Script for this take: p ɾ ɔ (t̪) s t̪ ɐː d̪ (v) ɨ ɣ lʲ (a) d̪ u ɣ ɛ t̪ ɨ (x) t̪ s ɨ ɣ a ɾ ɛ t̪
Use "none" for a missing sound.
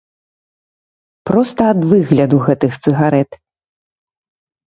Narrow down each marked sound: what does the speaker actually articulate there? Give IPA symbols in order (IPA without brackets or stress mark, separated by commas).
none, v, ɐ, x